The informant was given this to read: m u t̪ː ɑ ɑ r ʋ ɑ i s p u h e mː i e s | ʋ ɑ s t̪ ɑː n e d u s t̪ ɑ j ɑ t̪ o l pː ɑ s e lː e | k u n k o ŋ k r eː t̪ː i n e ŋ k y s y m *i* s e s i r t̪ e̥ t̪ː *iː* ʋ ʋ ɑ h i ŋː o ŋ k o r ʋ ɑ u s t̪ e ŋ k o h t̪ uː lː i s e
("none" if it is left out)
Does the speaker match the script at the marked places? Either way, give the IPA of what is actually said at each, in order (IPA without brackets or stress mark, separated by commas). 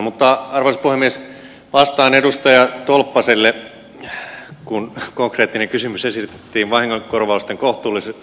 y, iː